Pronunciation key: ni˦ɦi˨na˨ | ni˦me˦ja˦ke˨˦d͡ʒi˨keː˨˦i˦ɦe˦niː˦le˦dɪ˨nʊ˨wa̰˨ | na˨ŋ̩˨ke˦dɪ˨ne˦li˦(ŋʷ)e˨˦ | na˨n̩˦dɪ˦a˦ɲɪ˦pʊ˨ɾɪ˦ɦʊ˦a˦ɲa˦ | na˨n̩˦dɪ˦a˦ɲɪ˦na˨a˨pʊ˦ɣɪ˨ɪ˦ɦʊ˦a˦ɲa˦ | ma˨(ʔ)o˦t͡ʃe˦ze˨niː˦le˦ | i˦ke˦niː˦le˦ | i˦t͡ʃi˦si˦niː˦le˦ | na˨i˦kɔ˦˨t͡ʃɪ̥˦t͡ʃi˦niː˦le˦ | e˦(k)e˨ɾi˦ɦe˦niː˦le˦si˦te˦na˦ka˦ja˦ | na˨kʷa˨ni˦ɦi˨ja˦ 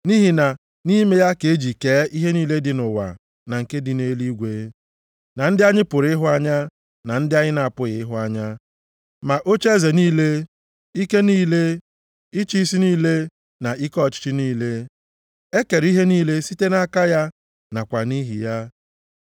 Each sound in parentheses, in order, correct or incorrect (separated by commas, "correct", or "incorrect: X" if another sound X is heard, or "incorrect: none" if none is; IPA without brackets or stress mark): incorrect: ɡʷ, correct, correct